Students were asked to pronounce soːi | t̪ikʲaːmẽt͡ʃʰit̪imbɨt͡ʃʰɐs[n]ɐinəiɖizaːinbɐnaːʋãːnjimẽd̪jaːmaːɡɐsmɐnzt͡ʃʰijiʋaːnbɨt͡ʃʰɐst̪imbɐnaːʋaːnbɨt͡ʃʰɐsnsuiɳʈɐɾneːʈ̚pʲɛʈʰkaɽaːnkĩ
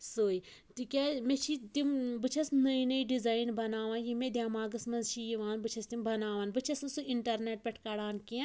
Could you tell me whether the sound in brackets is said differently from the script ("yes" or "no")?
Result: no